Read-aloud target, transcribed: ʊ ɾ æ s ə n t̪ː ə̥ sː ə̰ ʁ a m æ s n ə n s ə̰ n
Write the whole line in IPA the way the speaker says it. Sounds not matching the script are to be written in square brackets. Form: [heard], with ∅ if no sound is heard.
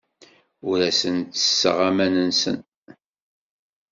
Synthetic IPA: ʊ ɾ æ s ə n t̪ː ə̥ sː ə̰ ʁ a m æ [∅] n ə n s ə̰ n